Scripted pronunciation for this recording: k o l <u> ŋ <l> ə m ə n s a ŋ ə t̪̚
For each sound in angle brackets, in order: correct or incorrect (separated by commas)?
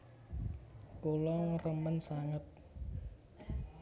incorrect, incorrect